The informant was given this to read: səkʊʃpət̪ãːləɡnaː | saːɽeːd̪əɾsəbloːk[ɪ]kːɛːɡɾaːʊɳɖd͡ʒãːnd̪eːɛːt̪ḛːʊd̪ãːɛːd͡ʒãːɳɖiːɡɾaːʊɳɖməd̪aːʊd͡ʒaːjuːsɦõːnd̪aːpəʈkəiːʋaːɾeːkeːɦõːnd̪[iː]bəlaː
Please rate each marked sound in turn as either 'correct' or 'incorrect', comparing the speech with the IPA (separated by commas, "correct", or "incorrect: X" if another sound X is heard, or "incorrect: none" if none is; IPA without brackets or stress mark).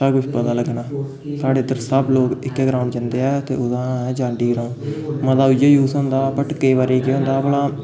correct, incorrect: aː